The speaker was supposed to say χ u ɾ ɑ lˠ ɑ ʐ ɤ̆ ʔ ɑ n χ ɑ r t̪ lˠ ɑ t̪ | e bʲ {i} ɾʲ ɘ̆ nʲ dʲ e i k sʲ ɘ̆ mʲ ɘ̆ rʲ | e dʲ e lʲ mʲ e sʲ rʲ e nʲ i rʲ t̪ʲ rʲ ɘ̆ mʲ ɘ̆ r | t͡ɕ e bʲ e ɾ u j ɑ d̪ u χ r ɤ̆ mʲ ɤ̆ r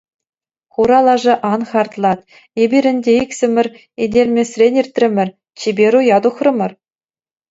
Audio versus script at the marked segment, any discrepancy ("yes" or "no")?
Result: no